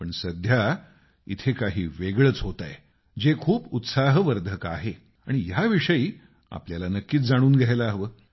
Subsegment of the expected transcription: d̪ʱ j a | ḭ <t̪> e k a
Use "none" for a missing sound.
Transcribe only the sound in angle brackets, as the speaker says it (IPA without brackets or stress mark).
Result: t̪ʰ